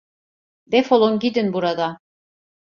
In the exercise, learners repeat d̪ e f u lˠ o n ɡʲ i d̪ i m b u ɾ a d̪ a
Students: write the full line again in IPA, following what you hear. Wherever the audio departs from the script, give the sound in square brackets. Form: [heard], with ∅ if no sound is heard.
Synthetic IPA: d̪ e f [o] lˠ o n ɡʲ i d̪ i [n] b u ɾ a d̪ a